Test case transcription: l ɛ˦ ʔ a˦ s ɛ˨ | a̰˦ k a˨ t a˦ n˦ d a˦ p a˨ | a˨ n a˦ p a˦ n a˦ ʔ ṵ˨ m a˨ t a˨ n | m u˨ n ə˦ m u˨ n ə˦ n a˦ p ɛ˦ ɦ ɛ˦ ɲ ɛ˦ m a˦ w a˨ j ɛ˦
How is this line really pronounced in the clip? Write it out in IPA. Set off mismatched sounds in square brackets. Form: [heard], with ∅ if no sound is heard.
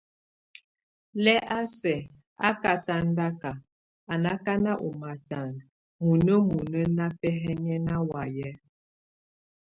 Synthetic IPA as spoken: l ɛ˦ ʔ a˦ s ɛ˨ | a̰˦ k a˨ t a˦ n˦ d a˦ [k] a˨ | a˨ n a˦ [k] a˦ n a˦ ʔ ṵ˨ m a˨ t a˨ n | m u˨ n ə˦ m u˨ n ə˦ n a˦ p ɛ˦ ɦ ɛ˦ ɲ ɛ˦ [n] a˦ w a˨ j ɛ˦